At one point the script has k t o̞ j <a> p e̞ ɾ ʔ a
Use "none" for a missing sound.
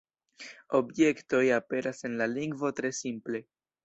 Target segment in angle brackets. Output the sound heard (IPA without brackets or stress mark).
a